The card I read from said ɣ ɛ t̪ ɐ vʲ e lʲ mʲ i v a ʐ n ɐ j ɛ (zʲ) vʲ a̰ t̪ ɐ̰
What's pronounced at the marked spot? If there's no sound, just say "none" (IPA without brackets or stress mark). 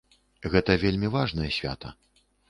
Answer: sʲ